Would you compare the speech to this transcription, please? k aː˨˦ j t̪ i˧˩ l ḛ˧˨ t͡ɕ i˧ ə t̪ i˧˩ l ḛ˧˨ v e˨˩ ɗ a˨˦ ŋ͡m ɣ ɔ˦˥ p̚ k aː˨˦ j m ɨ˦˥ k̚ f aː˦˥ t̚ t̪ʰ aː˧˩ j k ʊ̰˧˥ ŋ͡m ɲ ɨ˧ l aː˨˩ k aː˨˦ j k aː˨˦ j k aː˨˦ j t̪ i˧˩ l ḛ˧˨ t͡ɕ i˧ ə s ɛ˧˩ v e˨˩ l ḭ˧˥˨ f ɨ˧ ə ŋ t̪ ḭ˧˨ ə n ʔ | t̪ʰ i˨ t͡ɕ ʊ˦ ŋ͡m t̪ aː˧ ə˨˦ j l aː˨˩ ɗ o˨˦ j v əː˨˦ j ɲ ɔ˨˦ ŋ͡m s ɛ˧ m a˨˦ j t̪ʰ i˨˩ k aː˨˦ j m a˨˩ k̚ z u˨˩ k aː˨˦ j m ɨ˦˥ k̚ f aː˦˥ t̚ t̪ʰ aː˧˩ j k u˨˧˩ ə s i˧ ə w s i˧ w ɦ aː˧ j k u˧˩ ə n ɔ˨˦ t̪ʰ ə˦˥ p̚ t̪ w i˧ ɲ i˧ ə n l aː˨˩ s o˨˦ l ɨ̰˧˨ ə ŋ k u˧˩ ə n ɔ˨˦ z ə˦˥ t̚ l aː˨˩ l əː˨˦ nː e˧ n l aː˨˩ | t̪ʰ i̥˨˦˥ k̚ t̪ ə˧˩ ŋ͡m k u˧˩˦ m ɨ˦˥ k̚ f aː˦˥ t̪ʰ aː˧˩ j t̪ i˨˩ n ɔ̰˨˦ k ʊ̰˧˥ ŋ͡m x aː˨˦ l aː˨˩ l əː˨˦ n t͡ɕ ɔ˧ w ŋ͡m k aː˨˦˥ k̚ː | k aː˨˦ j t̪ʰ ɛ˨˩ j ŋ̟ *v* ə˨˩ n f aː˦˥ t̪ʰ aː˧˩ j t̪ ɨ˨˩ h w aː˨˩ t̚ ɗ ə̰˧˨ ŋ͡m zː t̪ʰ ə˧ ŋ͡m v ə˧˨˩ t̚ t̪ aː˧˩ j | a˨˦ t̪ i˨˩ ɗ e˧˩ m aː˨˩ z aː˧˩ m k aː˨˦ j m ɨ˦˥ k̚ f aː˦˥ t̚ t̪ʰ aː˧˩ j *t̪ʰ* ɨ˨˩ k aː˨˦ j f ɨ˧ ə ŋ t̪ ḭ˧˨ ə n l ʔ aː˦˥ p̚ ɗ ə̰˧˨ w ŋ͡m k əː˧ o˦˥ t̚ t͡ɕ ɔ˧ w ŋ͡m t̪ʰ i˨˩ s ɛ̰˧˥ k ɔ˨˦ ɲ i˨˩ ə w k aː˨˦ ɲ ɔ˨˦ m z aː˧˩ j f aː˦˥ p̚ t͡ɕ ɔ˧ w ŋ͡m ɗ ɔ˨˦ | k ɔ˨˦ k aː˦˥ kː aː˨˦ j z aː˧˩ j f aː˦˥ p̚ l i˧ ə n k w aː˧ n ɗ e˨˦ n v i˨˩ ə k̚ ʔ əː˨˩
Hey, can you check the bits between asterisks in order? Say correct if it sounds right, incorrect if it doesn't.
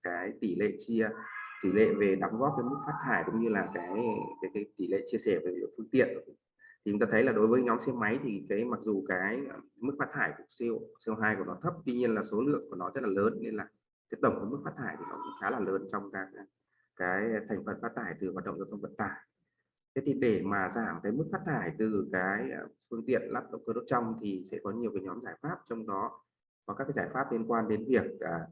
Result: incorrect: f, incorrect: t̪

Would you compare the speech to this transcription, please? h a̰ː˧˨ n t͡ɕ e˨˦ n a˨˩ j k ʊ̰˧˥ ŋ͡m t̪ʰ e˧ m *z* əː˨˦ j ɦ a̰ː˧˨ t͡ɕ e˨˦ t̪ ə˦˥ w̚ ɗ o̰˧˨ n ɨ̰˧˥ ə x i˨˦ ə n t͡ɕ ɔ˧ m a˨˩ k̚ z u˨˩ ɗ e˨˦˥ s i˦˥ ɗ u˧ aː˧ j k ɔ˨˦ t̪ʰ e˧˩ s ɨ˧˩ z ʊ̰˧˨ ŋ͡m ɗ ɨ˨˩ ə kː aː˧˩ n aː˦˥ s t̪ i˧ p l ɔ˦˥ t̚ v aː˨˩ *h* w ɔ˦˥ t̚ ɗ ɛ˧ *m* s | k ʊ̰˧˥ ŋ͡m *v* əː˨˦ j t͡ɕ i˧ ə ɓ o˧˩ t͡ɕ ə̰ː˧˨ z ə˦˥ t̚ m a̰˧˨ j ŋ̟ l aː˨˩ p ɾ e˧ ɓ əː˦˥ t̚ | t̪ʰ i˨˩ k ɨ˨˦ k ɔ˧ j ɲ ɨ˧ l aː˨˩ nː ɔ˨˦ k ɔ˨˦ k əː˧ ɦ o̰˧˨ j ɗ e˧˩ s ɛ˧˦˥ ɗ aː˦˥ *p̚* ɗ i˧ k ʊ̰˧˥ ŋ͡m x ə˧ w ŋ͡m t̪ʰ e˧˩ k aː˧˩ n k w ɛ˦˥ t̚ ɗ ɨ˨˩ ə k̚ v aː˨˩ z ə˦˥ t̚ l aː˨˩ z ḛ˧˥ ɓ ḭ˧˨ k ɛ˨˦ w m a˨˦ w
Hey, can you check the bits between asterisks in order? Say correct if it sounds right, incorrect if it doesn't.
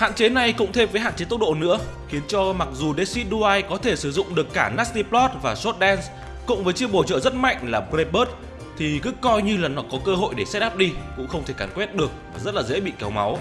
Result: incorrect: v, incorrect: s, incorrect: n, correct, correct

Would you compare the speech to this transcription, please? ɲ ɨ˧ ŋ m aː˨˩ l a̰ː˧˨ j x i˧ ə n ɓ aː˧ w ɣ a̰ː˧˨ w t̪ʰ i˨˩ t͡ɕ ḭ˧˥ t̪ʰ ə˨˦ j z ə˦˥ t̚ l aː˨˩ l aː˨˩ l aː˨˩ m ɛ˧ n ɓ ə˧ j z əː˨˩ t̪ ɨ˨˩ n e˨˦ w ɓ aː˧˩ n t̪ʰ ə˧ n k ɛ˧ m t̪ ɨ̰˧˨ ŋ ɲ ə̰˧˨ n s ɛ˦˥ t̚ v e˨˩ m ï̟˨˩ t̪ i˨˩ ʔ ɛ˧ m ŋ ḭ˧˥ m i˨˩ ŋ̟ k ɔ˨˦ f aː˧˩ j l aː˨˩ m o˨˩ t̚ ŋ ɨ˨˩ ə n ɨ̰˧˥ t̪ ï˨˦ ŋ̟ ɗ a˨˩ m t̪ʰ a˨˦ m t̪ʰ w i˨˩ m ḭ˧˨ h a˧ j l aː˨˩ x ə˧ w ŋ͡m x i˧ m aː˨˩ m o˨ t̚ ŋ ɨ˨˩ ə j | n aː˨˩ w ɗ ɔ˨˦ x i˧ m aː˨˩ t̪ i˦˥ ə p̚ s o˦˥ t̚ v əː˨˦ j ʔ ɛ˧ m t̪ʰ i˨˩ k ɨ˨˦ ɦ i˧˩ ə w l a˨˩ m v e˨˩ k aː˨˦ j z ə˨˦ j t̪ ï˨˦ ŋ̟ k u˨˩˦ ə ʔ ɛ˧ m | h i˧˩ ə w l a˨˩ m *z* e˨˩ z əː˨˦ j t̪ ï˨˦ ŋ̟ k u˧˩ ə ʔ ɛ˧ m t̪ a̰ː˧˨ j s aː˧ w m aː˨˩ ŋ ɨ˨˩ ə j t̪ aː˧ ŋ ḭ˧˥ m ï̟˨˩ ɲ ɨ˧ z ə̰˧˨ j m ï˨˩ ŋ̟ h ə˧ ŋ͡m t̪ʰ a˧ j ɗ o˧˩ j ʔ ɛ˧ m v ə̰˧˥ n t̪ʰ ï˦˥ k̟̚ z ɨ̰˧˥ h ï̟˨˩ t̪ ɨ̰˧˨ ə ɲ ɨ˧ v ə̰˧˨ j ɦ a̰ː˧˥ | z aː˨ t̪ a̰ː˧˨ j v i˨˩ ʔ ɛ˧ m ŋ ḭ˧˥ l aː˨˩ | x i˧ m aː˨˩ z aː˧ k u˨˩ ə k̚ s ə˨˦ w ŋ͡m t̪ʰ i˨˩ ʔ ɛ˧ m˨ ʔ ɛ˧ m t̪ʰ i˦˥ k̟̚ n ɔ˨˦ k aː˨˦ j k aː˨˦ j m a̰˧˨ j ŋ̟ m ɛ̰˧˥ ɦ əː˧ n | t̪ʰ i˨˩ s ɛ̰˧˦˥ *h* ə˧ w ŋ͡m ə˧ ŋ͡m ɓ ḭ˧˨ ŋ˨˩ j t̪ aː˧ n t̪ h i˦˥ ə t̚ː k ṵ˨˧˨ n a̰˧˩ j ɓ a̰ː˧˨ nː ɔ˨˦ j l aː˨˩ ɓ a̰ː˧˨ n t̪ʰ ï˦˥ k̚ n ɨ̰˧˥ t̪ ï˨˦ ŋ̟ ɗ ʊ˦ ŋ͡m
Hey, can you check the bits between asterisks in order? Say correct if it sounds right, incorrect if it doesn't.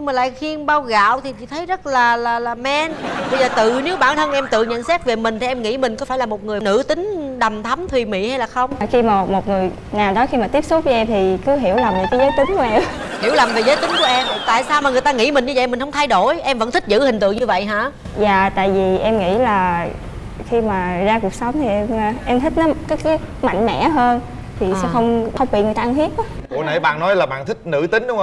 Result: incorrect: v, incorrect: x

